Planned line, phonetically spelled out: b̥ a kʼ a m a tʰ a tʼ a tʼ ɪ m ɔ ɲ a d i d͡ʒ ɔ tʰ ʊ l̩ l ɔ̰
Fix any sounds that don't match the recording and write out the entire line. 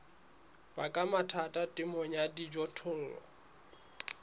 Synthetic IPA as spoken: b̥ a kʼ a m a tʰ a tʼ a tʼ ɪ m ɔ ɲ a d i d͡ʒ ɔ tʰ ʊ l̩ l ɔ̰